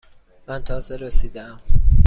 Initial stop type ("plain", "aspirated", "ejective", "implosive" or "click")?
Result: aspirated